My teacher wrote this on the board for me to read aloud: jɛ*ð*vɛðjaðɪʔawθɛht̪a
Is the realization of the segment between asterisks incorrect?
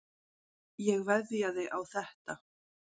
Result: yes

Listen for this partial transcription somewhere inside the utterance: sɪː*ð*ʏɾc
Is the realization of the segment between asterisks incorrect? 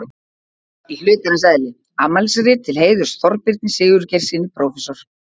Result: yes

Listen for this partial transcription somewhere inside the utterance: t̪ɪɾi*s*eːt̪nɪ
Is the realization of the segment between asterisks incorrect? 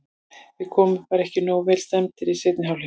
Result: no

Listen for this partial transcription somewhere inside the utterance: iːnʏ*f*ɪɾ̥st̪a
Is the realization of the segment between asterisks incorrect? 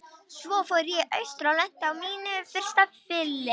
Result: no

